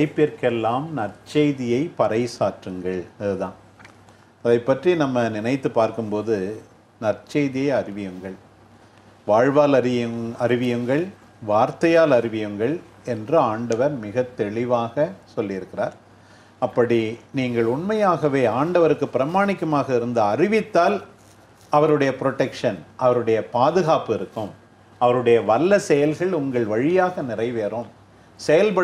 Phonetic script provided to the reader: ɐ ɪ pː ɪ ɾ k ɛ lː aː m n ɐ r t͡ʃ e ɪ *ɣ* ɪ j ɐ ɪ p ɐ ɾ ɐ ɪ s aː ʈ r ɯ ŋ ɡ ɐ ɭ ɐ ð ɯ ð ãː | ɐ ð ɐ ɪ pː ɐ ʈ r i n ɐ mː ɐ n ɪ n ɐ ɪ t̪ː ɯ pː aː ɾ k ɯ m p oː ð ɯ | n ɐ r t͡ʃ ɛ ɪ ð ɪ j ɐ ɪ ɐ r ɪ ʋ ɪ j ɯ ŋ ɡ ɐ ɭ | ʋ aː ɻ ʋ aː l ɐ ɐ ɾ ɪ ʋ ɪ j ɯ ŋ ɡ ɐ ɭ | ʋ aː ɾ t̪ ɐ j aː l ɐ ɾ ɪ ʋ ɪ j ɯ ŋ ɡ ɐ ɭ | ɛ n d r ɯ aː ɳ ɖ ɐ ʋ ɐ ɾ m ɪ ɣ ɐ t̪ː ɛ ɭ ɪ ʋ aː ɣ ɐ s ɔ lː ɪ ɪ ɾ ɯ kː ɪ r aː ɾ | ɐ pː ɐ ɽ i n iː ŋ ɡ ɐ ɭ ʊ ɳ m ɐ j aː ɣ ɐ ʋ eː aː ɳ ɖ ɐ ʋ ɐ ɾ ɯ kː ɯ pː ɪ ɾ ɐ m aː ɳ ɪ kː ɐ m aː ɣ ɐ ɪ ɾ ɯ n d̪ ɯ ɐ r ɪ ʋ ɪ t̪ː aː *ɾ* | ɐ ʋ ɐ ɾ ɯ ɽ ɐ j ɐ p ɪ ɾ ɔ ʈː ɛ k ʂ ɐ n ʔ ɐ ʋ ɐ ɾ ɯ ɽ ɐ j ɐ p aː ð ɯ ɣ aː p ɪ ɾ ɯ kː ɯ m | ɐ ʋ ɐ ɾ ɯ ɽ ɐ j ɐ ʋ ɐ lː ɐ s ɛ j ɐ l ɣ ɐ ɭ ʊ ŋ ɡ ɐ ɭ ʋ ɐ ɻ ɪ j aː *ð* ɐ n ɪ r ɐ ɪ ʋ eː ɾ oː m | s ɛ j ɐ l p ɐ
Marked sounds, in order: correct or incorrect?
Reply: incorrect, incorrect, incorrect

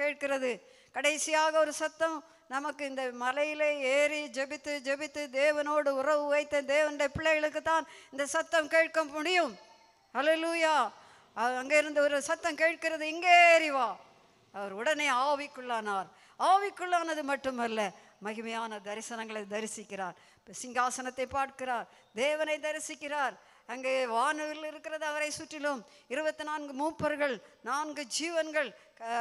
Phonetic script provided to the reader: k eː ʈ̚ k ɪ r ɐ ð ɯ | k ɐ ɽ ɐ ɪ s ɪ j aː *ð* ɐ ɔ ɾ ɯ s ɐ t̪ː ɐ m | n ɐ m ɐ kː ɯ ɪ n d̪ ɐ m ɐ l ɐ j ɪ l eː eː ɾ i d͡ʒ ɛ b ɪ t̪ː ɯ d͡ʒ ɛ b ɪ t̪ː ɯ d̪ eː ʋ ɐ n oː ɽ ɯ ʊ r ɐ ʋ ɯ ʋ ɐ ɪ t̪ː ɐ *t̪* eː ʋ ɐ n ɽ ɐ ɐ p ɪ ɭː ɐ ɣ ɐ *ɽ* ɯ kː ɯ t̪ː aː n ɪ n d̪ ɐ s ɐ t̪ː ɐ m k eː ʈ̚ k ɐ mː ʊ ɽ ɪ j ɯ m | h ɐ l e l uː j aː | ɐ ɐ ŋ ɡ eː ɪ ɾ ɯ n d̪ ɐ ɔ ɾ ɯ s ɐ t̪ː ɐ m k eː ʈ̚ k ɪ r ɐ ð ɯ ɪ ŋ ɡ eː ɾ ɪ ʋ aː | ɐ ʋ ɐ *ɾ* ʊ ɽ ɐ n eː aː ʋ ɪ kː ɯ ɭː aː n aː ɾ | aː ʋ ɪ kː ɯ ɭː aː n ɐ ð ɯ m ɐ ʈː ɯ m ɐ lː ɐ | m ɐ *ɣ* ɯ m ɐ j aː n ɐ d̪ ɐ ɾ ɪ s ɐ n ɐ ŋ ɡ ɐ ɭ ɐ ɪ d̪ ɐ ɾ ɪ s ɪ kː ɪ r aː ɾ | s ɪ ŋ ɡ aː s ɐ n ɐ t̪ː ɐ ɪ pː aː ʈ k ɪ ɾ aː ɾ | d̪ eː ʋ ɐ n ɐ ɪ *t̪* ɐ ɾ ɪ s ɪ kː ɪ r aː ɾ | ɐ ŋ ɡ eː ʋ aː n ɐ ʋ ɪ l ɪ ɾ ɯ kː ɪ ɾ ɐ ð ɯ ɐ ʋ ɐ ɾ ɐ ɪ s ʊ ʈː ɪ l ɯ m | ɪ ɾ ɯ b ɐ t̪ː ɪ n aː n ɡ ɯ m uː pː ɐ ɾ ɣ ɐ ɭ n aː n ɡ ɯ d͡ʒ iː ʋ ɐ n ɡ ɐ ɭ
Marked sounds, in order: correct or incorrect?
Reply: incorrect, incorrect, incorrect, correct, correct, incorrect

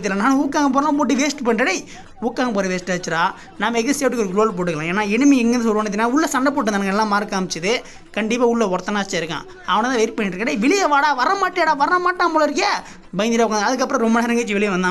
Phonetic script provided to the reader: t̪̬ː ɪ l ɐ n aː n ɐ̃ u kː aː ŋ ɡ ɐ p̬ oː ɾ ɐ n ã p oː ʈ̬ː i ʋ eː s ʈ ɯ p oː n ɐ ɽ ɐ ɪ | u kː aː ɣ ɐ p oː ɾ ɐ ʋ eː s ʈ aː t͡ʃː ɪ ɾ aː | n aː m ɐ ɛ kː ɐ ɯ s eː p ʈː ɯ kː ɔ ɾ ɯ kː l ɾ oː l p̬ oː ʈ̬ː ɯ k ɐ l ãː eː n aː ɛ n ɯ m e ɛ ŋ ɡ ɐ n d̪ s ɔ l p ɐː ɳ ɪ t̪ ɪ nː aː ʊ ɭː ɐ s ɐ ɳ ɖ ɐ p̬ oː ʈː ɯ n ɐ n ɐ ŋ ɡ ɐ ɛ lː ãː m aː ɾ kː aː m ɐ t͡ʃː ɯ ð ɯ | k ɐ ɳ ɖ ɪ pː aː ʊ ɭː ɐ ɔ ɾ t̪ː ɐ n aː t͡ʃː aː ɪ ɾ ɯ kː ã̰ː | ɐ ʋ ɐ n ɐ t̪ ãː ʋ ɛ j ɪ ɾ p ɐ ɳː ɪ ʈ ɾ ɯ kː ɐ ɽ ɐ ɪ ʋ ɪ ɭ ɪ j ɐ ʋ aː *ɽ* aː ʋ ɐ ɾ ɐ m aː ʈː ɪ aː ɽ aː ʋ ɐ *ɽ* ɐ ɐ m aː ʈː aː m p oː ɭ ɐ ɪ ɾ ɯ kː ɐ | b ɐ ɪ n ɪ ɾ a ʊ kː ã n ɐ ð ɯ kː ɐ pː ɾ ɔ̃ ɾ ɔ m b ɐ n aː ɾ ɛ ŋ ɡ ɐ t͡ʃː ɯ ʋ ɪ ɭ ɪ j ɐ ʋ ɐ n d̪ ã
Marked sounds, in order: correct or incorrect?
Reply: correct, incorrect

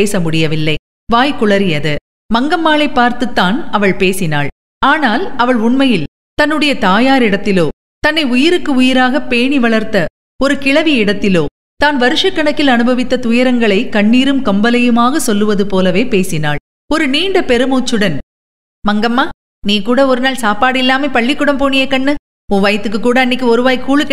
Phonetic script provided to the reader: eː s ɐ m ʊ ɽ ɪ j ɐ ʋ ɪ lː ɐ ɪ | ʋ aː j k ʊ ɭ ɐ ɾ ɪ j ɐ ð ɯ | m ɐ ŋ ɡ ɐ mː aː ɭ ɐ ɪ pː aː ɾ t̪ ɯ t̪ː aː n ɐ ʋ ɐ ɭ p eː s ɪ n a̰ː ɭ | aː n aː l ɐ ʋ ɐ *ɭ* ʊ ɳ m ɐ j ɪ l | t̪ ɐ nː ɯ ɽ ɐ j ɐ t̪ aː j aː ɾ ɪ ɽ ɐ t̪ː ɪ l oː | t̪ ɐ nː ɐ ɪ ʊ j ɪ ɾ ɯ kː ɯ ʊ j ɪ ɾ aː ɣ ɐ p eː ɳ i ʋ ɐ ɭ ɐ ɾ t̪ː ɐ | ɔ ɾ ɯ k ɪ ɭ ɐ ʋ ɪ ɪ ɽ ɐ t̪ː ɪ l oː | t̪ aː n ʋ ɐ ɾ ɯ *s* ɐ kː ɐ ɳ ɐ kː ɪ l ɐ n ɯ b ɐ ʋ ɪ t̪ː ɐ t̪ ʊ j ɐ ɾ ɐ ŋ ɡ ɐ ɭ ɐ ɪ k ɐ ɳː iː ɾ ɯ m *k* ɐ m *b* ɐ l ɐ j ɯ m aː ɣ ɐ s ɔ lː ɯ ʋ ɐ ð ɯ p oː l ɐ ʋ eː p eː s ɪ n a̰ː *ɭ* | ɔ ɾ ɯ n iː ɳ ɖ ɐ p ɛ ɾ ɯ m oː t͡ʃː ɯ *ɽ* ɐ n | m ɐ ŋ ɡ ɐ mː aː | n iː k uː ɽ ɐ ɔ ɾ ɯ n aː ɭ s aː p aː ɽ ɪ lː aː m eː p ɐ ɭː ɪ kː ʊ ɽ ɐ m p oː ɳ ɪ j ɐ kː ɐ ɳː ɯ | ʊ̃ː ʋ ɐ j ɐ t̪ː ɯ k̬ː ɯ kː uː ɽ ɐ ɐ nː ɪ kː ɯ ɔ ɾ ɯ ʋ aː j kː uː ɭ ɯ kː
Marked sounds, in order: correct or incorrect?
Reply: correct, incorrect, correct, correct, correct, correct

